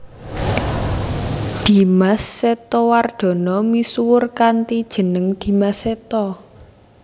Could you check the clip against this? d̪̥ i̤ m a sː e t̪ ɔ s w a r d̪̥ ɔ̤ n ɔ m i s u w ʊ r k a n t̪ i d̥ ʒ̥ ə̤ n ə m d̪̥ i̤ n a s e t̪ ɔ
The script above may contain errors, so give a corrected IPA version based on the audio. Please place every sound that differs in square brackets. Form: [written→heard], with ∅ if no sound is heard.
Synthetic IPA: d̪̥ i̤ m a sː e t̪ ɔ [s→∅] w a r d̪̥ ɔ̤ n ɔ m i s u w ʊ r k a n t̪ i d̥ ʒ̥ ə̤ n ə [m→ŋ] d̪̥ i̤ [n→m] a s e t̪ ɔ